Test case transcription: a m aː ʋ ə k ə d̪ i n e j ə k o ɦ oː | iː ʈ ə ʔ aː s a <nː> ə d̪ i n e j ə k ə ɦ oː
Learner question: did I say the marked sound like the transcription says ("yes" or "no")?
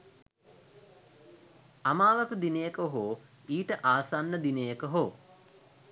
yes